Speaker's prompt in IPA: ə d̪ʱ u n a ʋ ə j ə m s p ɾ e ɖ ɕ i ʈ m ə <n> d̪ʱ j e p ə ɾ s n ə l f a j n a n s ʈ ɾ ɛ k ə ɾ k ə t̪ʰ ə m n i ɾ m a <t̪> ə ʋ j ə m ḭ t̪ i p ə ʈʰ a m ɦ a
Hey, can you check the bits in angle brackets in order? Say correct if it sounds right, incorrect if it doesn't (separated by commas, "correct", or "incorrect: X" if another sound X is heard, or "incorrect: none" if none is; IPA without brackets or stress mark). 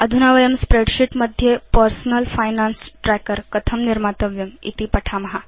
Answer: incorrect: none, correct